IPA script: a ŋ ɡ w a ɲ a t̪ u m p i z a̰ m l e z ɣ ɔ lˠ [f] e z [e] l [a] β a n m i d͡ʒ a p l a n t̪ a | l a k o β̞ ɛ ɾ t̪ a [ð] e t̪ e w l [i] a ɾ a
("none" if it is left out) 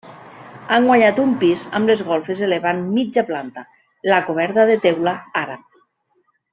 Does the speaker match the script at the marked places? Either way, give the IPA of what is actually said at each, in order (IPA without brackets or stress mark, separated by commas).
f, e, e, ð, a